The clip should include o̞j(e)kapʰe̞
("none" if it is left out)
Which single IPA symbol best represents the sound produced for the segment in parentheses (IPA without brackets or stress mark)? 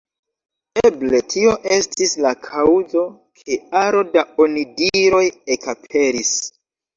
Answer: e